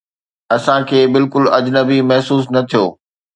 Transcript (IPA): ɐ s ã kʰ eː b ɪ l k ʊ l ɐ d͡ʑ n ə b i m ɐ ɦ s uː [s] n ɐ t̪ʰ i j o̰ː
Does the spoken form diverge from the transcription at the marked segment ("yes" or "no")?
no